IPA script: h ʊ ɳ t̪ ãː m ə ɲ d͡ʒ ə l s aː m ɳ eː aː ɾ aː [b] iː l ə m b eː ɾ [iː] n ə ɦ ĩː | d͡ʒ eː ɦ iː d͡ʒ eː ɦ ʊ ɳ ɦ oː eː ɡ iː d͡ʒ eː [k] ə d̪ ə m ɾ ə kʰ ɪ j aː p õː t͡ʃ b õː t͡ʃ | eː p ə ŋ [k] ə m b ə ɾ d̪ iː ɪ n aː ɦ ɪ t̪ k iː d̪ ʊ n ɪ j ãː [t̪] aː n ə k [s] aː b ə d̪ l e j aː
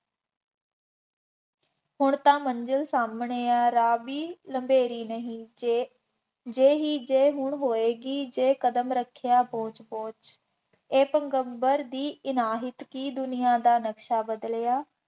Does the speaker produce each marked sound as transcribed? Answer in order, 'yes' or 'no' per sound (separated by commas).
yes, yes, yes, no, no, no